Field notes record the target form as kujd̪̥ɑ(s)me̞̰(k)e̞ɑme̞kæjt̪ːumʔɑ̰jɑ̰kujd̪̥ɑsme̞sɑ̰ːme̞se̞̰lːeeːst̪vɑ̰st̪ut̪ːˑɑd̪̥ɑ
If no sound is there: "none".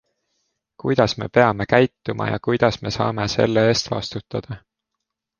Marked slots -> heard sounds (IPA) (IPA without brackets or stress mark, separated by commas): s, p